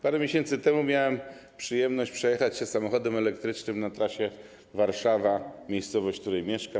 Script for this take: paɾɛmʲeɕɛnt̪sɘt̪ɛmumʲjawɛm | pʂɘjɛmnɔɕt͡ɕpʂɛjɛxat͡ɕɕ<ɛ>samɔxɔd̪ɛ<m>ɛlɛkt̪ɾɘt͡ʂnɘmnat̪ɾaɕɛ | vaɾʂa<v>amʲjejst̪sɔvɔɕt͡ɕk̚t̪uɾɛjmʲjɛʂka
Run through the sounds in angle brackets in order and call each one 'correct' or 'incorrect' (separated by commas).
correct, correct, correct